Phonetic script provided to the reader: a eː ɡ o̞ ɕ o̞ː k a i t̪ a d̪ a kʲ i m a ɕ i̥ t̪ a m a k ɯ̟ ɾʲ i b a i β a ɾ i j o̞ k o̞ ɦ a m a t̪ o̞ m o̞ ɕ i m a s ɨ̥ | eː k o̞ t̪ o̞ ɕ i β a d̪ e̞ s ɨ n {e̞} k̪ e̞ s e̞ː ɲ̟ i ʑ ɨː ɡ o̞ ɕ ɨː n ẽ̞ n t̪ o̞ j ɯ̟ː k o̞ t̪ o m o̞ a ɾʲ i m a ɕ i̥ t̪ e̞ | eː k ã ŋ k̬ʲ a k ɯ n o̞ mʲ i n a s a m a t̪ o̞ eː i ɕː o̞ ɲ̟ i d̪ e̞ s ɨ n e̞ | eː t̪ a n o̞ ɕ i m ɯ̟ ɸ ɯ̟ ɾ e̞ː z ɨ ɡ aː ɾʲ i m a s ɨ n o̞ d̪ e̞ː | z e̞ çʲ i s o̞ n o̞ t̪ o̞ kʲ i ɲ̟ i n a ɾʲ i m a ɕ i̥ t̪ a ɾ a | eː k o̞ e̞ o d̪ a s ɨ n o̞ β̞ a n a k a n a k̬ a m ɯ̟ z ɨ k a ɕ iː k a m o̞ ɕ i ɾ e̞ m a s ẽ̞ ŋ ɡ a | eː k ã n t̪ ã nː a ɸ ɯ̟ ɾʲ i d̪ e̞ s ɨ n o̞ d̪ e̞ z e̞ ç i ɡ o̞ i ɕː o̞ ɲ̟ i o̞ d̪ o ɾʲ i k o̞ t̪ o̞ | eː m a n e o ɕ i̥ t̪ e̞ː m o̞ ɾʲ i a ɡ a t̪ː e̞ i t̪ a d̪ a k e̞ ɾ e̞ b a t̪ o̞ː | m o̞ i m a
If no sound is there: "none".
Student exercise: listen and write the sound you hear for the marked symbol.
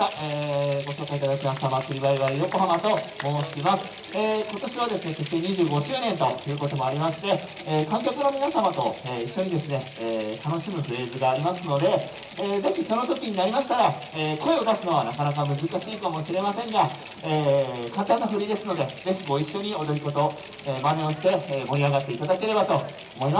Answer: e̞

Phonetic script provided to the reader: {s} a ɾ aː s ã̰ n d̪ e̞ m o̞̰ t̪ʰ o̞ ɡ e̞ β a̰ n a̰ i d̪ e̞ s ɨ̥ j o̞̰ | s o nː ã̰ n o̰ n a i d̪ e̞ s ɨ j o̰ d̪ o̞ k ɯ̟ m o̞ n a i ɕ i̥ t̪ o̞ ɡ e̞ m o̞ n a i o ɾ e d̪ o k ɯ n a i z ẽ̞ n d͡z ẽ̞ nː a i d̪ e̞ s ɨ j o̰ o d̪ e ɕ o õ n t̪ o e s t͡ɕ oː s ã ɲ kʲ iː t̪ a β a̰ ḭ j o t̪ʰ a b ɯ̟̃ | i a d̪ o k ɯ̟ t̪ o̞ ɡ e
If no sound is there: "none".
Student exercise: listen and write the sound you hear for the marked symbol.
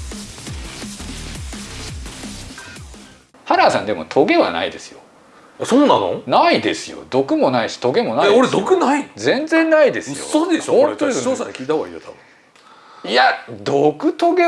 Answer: h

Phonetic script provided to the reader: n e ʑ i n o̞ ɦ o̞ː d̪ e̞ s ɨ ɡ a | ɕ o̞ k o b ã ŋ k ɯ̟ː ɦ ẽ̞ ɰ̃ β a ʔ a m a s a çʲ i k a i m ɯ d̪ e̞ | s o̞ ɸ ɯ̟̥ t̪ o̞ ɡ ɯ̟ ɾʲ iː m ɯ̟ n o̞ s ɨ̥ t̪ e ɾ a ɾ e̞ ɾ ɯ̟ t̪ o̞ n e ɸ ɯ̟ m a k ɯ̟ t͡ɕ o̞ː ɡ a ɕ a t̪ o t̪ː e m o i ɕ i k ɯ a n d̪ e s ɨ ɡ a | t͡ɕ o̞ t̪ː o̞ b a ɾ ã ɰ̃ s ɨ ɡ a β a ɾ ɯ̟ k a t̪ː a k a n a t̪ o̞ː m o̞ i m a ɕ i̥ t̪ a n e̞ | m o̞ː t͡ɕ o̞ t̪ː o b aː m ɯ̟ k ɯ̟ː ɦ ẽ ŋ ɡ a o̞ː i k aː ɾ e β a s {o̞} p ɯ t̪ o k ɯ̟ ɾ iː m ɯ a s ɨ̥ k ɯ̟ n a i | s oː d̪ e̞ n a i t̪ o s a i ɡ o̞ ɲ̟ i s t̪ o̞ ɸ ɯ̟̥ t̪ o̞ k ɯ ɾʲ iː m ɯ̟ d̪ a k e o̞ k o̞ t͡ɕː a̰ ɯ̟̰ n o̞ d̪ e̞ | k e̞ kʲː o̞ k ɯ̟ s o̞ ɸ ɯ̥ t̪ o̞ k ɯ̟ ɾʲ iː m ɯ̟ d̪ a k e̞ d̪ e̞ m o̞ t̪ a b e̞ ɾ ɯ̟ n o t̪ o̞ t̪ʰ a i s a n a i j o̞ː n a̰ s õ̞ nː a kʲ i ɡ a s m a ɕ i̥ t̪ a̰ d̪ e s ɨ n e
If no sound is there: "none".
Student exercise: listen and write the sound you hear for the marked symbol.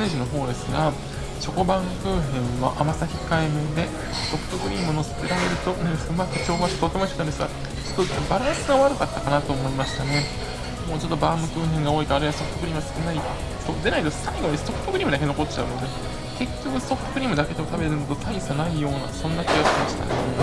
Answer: o̞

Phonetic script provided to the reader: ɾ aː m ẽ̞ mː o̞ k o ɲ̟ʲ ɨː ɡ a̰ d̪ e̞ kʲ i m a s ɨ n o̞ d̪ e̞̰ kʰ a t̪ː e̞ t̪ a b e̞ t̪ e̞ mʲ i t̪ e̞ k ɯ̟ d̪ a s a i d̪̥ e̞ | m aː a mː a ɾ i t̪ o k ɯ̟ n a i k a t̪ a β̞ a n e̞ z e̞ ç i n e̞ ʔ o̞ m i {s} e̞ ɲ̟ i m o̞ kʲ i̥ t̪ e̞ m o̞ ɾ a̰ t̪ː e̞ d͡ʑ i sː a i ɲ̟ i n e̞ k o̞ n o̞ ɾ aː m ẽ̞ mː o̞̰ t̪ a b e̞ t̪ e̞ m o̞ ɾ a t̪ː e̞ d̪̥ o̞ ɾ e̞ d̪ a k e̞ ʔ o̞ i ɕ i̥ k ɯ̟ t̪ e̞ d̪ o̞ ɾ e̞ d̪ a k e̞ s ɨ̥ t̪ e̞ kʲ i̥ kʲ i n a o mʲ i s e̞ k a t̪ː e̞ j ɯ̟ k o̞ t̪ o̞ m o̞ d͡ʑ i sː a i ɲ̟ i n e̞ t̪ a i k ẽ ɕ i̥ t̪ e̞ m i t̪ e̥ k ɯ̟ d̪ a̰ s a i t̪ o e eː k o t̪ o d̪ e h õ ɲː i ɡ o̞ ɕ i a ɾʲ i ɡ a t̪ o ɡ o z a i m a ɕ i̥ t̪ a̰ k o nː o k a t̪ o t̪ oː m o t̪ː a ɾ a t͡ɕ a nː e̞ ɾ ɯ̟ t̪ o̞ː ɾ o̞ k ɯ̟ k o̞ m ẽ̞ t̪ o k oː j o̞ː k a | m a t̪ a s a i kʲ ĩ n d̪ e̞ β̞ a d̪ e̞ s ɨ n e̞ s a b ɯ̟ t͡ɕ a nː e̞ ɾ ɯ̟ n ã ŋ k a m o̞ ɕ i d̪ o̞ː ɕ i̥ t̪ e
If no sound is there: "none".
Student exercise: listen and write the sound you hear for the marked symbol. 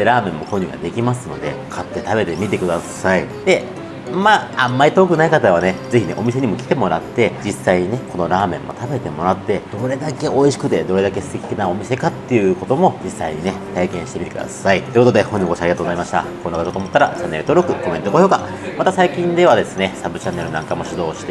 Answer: s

